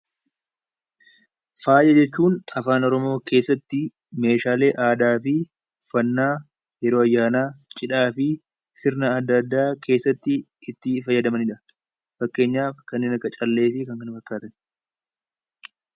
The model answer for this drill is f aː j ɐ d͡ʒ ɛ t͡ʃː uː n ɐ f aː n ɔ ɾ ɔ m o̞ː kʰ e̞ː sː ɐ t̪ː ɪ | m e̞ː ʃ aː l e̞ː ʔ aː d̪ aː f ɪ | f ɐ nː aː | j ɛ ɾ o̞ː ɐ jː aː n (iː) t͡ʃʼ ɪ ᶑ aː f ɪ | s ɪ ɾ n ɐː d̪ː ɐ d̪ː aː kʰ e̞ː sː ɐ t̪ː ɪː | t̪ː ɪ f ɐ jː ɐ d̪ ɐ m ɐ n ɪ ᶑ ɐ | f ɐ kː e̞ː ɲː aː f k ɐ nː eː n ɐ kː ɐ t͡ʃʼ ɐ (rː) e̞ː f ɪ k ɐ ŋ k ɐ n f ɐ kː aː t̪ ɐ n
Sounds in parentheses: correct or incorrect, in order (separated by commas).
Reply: incorrect, incorrect